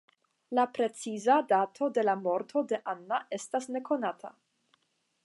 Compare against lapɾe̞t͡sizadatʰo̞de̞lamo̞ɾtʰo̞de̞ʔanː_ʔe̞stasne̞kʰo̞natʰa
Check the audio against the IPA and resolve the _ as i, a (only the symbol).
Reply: a